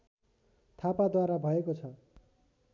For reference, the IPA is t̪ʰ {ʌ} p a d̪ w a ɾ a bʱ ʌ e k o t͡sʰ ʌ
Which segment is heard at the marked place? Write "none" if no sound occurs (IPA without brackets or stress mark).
a